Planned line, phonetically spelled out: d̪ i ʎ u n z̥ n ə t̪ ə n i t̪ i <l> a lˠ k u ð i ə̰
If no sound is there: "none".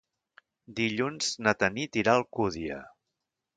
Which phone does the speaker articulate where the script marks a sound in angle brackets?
ɾ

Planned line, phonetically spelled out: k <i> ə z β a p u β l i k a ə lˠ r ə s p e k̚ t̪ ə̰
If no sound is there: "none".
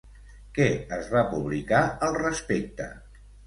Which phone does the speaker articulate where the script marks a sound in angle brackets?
ɛ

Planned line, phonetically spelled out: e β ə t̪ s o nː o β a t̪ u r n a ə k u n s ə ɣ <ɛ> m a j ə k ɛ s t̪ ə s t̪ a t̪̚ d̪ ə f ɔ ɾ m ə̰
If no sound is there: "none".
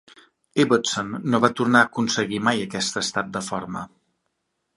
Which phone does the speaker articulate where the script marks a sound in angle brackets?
i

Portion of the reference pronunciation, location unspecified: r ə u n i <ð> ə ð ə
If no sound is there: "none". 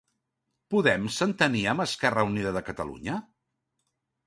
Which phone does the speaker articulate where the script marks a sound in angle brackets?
ð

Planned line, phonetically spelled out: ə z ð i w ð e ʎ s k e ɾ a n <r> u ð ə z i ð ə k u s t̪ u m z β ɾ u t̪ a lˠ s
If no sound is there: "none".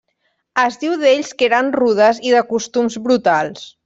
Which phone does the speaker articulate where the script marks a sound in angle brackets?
r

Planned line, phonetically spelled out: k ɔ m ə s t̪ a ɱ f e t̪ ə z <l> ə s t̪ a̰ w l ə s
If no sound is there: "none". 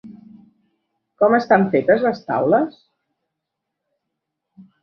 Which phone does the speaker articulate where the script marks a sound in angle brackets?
l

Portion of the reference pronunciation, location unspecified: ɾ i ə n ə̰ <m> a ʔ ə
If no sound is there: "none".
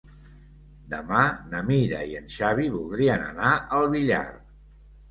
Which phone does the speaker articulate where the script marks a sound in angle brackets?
n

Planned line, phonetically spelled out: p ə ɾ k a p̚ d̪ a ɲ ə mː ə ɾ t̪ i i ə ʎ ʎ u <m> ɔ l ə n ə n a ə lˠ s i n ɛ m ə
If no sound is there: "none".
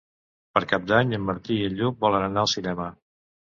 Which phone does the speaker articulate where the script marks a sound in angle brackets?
b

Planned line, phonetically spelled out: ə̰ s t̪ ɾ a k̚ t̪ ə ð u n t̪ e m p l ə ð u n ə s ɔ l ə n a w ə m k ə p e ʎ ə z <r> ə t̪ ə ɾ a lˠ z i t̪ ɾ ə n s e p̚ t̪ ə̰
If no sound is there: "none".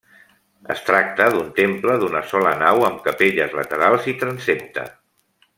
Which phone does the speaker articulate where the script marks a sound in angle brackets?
l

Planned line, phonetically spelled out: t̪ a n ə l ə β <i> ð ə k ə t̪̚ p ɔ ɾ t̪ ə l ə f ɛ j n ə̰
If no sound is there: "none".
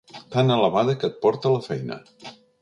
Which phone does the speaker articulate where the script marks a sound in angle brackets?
a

